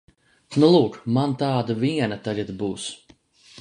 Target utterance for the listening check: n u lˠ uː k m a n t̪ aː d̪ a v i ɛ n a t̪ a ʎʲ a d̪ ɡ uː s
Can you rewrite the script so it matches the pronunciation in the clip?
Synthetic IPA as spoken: n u lˠ uː k m a n t̪ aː d̪ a v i ɛ n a t̪ a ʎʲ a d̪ b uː s